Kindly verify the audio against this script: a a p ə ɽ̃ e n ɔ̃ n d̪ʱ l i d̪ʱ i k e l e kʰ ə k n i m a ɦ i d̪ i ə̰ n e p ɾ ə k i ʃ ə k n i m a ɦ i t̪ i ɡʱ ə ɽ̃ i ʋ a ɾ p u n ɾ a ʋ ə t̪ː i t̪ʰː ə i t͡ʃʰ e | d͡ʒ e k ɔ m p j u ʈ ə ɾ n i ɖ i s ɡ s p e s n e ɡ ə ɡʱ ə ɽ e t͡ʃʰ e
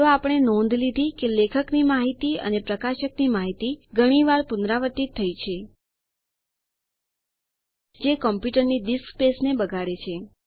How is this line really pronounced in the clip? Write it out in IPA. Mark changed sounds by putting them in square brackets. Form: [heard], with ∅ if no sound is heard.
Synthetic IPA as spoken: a a p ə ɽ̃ e n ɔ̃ n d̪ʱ l i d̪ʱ i k e l e kʰ ə k n i m a ɦ i [t̪] i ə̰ n e p ɾ ə k [a] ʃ ə k n i m a ɦ i t̪ i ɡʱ ə ɽ̃ i ʋ a ɾ p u n ɾ a ʋ ə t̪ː i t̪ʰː ə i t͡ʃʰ e | d͡ʒ e k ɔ m p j u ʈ ə ɾ n i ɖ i s [k] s p e s n e [b] ə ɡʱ [a] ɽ e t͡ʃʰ e